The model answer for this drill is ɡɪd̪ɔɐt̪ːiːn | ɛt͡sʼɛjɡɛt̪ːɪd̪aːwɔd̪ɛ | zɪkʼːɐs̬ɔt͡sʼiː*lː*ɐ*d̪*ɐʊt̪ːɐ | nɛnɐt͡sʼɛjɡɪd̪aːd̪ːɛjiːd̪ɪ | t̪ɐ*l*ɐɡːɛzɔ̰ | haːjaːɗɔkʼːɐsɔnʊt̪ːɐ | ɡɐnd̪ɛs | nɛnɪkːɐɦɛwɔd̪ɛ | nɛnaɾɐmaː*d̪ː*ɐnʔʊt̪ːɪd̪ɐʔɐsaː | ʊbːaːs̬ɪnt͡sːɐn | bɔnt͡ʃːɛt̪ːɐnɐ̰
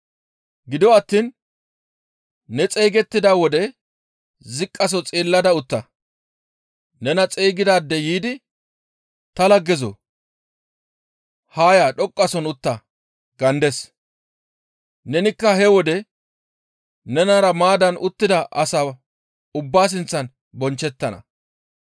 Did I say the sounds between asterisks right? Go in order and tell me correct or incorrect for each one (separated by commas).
correct, correct, correct, incorrect